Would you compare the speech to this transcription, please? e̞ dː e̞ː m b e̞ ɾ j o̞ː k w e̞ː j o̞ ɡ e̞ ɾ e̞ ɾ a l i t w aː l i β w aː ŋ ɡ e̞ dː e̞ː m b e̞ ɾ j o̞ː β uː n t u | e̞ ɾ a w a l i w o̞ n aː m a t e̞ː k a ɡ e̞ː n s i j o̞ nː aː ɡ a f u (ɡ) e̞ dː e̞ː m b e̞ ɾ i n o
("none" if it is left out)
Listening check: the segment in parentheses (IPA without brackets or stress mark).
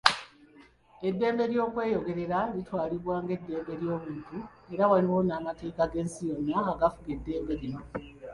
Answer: ɡ